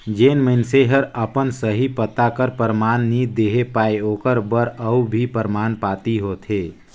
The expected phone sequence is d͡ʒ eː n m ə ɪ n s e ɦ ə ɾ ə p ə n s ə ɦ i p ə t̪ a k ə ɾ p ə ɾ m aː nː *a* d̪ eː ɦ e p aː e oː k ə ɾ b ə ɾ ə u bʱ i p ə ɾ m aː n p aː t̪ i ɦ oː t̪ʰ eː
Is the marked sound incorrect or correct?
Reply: incorrect: i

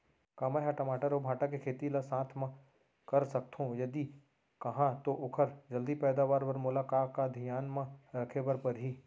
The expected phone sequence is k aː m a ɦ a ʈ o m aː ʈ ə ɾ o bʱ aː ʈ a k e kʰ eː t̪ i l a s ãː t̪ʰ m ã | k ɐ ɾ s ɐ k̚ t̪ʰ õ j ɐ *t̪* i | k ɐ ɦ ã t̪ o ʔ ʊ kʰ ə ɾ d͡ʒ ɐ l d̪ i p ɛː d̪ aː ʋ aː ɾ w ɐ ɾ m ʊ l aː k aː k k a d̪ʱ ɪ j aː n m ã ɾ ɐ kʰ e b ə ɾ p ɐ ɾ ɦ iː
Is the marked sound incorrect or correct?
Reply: incorrect: d̪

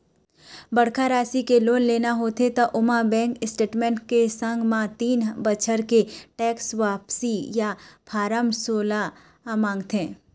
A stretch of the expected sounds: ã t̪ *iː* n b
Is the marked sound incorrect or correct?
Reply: correct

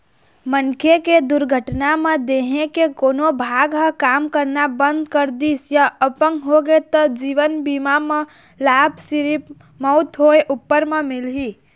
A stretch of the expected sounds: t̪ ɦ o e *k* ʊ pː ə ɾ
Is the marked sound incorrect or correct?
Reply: incorrect: ʔ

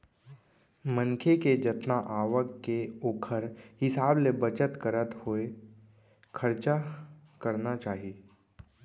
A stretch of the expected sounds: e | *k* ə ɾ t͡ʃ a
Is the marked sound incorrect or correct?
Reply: incorrect: kʰ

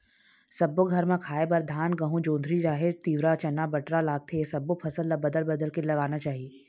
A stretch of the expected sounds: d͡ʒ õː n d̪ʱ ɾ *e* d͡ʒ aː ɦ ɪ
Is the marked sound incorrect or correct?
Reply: incorrect: i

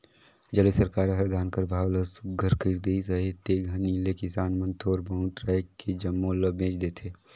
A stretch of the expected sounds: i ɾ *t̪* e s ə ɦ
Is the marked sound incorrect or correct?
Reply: incorrect: d̪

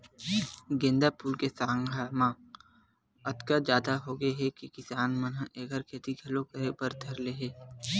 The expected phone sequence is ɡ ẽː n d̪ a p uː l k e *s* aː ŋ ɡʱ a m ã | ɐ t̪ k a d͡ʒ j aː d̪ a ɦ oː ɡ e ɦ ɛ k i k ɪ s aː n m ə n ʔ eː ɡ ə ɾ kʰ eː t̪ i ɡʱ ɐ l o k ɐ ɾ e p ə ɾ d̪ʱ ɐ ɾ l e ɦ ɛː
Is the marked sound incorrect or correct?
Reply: correct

